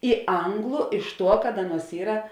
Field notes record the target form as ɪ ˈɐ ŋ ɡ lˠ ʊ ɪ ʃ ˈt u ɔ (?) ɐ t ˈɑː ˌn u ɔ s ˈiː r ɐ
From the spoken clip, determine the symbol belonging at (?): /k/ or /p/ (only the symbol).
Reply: k